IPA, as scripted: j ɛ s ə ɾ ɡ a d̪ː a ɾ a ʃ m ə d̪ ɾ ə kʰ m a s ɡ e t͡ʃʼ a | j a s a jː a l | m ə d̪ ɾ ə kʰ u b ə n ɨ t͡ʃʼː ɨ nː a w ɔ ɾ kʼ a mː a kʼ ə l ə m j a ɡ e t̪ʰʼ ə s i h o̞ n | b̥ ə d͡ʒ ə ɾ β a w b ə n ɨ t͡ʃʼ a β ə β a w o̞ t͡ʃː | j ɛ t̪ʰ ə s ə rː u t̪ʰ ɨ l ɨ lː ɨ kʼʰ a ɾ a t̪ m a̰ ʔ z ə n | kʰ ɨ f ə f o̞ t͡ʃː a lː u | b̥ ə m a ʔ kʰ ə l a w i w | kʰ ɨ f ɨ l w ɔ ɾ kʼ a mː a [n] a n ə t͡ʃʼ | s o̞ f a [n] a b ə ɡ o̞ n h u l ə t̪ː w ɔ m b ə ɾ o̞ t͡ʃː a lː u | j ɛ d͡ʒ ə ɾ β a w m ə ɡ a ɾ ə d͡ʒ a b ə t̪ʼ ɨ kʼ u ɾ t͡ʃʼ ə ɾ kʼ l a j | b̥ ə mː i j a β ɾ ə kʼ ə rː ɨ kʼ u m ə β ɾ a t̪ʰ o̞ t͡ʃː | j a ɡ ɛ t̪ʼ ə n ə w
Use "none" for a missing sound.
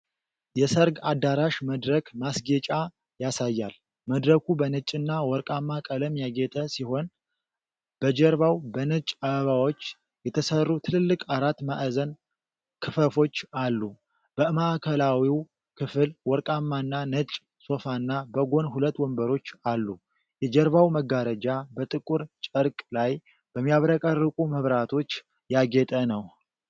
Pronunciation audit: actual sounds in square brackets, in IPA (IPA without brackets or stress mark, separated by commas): nː, nː